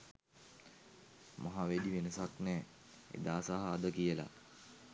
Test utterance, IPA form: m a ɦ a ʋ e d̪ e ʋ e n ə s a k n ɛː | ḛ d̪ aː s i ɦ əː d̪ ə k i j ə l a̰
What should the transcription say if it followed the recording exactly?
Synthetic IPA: m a ɦ a ʋ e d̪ i ʋ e n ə s a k n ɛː | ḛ d̪ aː s a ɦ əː d̪ ə k i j ə l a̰